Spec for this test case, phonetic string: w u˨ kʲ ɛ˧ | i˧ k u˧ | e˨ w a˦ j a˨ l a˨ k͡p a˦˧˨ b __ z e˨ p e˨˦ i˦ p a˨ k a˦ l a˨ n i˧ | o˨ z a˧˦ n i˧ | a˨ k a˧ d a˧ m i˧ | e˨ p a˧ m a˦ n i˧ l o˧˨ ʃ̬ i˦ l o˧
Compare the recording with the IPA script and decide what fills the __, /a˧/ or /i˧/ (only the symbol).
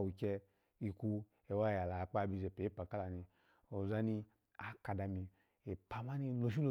i˧